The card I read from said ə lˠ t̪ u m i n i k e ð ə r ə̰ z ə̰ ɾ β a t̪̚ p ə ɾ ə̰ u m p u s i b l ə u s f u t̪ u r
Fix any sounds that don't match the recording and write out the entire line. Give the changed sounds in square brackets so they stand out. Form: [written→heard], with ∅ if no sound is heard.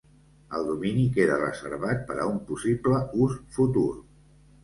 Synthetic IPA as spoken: ə lˠ [t̪→d̪] u m i n i k e ð ə r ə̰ z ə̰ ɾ β a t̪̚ p ə ɾ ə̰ u m p u s i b l ə u s f u t̪ u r